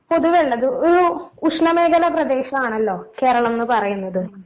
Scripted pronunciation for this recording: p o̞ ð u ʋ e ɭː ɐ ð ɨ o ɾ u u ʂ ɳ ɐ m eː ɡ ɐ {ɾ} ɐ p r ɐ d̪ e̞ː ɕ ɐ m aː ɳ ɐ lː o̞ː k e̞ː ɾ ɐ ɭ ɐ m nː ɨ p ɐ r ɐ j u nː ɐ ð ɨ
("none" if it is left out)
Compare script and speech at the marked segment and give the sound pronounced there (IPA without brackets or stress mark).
l